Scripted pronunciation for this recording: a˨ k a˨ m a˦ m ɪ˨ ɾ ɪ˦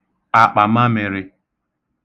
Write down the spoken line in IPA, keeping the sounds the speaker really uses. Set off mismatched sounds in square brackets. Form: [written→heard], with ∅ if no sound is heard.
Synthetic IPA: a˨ [k→k͡p] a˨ m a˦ m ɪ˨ ɾ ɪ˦